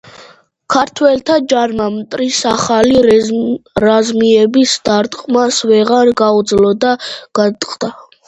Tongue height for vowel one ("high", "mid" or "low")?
low